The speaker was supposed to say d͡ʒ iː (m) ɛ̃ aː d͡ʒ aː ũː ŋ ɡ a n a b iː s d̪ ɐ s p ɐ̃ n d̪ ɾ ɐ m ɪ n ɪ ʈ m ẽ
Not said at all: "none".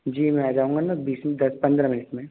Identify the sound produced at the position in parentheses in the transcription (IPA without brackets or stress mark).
m